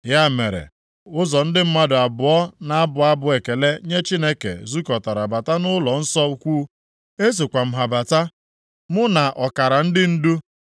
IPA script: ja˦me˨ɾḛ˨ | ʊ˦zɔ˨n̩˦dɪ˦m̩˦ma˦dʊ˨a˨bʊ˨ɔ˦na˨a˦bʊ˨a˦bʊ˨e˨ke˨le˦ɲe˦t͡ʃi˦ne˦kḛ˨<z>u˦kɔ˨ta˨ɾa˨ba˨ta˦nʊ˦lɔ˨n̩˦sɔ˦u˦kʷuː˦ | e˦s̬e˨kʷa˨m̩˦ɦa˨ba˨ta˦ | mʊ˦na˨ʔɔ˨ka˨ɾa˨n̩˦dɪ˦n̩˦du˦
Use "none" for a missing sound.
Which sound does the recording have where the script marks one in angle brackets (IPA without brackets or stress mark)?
z